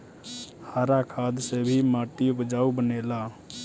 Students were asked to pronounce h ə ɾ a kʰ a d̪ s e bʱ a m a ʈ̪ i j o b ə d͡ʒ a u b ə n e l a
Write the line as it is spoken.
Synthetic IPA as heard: h a ɾ a kʰ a d̪ s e bʱ i m a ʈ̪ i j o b ə d͡ʒ a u b ə n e l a